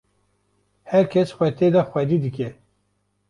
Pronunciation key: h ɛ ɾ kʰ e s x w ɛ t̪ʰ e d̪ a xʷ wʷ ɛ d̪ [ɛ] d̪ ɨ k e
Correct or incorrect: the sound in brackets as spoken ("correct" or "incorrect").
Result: incorrect